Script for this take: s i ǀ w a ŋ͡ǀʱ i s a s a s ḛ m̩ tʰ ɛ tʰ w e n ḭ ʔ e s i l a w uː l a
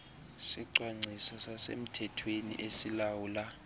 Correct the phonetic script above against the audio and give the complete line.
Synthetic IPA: s i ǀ w a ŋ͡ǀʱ i s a s a s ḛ m̩ tʰ ɛ tʰ w e n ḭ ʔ e s i l a w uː l a